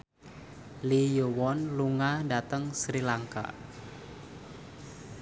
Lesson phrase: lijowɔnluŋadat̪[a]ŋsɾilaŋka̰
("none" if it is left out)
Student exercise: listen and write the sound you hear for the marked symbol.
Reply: ə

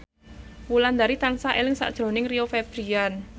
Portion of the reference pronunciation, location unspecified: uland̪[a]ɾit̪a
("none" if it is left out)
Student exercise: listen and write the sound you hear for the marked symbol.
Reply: a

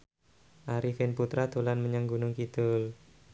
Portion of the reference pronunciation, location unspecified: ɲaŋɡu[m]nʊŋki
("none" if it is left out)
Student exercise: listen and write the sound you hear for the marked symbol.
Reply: none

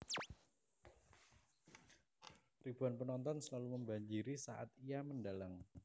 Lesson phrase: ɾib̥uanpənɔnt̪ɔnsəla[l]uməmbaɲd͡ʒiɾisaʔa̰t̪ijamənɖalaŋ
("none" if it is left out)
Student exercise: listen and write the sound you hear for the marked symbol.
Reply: l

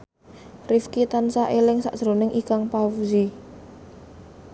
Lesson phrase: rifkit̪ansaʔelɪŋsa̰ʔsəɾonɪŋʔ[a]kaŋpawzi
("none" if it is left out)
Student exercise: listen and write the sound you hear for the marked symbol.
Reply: i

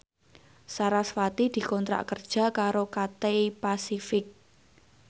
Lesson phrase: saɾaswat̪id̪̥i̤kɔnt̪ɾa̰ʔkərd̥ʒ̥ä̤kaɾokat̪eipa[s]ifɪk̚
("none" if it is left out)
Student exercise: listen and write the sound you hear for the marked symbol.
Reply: s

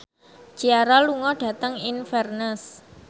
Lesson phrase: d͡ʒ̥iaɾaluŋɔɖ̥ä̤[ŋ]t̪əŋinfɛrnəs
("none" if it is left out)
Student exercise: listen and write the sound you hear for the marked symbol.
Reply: none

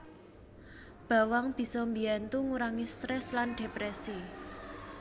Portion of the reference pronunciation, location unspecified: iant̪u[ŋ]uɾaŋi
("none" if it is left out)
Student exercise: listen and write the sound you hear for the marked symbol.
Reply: ŋ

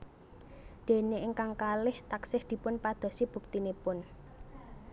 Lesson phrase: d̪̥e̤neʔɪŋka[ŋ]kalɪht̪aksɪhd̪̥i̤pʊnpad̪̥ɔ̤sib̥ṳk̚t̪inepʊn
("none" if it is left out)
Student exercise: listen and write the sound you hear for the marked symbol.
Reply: ŋ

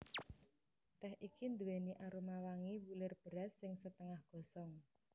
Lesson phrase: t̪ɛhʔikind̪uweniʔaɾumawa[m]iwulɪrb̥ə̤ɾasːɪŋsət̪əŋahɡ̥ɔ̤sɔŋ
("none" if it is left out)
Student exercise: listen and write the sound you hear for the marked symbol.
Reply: ŋ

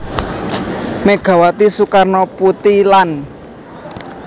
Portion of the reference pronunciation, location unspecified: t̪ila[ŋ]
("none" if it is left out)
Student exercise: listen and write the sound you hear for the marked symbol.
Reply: n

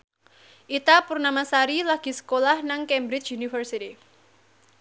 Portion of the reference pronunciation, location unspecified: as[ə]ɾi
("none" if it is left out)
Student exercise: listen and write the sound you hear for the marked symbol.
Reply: a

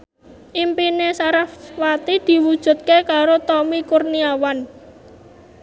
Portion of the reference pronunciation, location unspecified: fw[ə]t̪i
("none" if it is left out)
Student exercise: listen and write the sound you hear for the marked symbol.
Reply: a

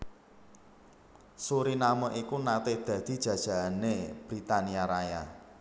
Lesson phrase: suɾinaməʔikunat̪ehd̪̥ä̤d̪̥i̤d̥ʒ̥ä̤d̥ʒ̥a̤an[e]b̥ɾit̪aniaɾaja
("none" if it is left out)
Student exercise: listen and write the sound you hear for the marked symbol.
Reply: e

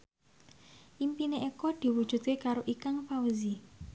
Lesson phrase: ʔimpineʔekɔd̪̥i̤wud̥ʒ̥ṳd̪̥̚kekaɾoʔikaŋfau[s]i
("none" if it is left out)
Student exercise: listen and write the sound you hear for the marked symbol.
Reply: z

